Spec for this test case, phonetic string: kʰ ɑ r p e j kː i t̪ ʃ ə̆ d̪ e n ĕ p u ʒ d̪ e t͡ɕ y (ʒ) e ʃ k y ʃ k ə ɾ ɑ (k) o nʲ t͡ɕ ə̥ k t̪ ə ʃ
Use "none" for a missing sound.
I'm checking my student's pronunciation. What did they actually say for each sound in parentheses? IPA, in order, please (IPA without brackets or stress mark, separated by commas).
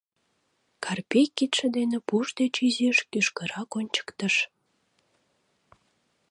z, k